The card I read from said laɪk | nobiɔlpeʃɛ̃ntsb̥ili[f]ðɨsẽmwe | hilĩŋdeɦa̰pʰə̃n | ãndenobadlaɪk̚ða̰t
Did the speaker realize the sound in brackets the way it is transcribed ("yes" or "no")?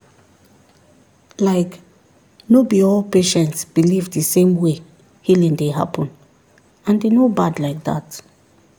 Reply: no